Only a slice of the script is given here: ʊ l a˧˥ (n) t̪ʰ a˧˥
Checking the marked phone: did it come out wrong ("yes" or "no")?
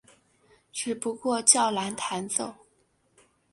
no